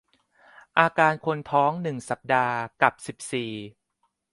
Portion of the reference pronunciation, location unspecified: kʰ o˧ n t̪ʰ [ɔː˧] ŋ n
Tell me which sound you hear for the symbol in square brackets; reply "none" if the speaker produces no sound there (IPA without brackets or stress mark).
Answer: ɔː˦˥